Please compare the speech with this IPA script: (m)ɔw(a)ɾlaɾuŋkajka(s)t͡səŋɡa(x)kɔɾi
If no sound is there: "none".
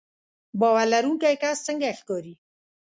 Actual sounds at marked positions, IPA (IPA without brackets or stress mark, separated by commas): b, a, s, x